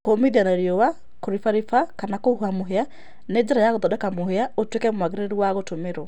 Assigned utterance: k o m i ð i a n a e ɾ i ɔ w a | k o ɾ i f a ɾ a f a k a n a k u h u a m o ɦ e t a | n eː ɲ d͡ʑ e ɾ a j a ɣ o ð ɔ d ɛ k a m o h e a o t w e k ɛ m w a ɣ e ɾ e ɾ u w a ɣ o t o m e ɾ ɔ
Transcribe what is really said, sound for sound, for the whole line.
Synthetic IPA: k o m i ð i a n a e ɾ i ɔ w a | k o ɾ i f a ɾ i f a k a n a k o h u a m o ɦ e a | n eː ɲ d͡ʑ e ɾ a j a ɣ o ð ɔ d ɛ k a m o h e a o t w e k ɛ m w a ɣ e ɾ e ɾ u w a ɣ o t o m e ɾ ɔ